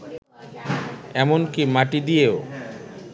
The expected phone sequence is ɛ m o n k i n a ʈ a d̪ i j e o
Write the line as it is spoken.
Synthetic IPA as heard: ɛ m o n k i m a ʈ i d̪ i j e o